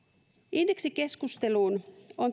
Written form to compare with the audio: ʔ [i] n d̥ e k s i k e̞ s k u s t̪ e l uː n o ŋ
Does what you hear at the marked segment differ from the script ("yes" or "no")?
no